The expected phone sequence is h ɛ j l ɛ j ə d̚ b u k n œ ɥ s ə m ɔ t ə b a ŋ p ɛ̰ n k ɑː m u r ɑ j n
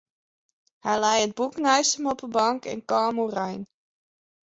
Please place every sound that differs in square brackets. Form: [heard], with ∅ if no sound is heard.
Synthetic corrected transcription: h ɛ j l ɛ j ə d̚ b u k n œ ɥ s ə m ɔ [p] ə b [ɑ] ŋ [k] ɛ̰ n k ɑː m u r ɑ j n